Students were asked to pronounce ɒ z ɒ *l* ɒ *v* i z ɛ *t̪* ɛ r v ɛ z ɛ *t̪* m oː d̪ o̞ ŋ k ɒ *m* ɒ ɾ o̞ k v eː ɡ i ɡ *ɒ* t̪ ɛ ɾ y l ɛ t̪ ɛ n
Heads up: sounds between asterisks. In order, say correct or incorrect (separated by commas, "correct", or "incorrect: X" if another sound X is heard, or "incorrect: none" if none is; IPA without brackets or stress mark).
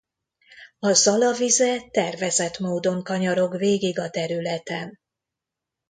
correct, correct, correct, correct, incorrect: ɲ, correct